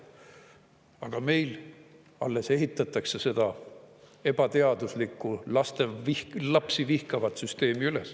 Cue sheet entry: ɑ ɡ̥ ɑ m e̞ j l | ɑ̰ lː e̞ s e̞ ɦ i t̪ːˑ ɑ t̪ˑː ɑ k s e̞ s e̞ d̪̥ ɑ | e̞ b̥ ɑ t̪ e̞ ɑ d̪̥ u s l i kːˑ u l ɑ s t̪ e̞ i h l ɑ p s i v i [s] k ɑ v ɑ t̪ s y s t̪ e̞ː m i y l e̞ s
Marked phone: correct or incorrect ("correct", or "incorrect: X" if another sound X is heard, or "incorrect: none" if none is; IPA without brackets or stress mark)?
incorrect: h